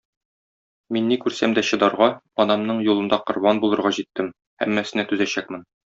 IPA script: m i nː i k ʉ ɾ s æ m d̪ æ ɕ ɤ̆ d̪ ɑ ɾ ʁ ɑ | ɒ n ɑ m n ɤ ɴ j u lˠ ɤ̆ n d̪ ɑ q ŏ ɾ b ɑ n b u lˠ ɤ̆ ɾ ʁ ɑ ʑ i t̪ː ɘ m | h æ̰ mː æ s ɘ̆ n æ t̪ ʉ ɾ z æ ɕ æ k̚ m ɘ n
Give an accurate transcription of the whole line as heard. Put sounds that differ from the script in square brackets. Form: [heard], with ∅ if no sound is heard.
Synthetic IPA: m i nː i k ʉ ɾ s æ m d̪ æ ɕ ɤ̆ d̪ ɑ ɾ ʁ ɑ | ɒ n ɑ m n ɤ ɴ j u lˠ ɤ̆ n d̪ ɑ q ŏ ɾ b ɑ n b u lˠ ɤ̆ ɾ ʁ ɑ ʑ i t̪ː ɘ m | h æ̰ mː æ s ɘ̆ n æ t̪ ʉ [∅] z æ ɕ æ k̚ m ɘ n